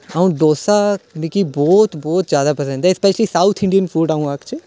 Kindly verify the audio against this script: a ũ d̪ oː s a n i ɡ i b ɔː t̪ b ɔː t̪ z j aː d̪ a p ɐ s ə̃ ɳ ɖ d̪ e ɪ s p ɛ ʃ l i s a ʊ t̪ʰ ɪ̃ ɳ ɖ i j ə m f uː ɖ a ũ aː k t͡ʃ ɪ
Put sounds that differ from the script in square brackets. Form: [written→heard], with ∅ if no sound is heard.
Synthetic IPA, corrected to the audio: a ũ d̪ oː s a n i [ɡ→k] i b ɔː t̪ b ɔː t̪ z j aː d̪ a p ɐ s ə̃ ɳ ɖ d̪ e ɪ s p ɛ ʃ l i s a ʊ t̪ʰ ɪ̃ ɳ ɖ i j ə [m→n] f uː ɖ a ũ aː k t͡ʃ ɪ